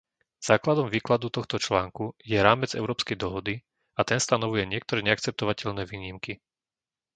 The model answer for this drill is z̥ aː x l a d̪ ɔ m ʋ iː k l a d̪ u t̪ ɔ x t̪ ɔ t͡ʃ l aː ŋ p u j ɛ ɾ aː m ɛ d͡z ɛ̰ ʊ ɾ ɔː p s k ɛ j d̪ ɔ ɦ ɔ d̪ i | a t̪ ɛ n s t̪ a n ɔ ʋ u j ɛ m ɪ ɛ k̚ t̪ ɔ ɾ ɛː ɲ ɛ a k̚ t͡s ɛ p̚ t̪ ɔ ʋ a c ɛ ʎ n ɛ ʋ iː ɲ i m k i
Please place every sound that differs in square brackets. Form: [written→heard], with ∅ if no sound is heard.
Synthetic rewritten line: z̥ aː [x→k] l a d̪ ɔ m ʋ iː k l a d̪ u t̪ ɔ x t̪ ɔ t͡ʃ l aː ŋ [p→k] u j ɛ ɾ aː m ɛ d͡z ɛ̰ ʊ ɾ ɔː p s k ɛ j d̪ ɔ ɦ ɔ d̪ i | a t̪ ɛ n s t̪ a n ɔ ʋ u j ɛ [m→ɲ] ɪ ɛ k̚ t̪ ɔ ɾ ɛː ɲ ɛ a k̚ t͡s ɛ p̚ t̪ ɔ ʋ a c ɛ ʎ n ɛ ʋ iː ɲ i m k i

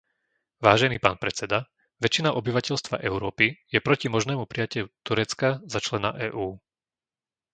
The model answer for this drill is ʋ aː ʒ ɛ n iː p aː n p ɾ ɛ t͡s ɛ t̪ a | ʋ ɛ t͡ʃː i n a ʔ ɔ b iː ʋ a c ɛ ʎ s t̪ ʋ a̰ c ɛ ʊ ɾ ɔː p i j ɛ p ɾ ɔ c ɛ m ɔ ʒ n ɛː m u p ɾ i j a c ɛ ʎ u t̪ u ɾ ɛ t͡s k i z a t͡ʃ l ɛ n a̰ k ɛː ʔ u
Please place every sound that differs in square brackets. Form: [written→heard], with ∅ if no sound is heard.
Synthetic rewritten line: ʋ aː ʒ ɛ n iː p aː n p ɾ ɛ t͡s ɛ [t̪→d̪] a | ʋ ɛ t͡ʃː i n a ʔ ɔ b [iː→i] ʋ a c ɛ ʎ s t̪ ʋ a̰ [c→ʔ] ɛ ʊ ɾ ɔː p i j ɛ p ɾ ɔ c [ɛ→i] m ɔ ʒ n ɛː m u p ɾ i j a c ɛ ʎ u t̪ u ɾ ɛ t͡s k [i→a] z a t͡ʃ l ɛ n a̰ [k→ʔ] ɛː ʔ [u→uː]

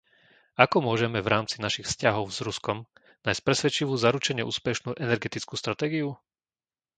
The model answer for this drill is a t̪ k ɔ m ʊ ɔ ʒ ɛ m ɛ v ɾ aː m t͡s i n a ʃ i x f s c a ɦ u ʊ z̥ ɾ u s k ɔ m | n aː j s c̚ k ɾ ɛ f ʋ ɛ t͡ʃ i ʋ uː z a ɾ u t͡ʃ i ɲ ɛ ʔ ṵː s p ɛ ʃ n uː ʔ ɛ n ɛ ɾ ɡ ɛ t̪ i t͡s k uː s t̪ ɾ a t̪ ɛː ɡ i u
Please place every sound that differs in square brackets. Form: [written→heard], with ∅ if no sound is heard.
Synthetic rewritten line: a [t̪→∅] k ɔ m ʊ ɔ ʒ ɛ m ɛ v ɾ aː m t͡s i n a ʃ i x f s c a ɦ [u→ɔ] ʊ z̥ ɾ u s k ɔ m | n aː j s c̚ [k→p] ɾ ɛ [f→s] ʋ ɛ t͡ʃ i ʋ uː z a ɾ u t͡ʃ [i→ɛ] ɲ ɛ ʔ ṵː s p ɛ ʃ n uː ʔ ɛ n ɛ ɾ ɡ ɛ t̪ i t͡s k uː s t̪ ɾ a t̪ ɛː ɡ i u

